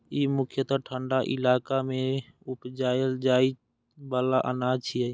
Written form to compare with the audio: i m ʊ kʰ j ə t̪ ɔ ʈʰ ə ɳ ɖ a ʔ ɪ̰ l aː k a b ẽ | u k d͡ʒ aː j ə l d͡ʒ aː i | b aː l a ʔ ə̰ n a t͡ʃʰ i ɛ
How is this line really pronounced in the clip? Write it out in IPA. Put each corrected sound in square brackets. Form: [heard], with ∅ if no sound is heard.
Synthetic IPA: i m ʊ kʰ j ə t̪ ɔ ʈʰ ə ɳ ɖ a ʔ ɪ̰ l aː k a [m] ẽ | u [p] d͡ʒ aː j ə l d͡ʒ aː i | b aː l a ʔ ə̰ n a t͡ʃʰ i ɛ